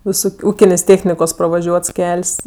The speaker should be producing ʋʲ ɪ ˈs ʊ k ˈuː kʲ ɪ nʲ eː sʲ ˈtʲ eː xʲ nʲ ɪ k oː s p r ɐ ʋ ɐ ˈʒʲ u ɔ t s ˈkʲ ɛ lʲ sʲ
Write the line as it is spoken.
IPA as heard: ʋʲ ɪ ˈs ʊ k ˈuː kʲ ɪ nʲ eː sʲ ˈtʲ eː xʲ nʲ ɪ k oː s p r ɐ ʋ ɐ ˈʒʲ u ɔ t s ˈkʲ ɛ lʲ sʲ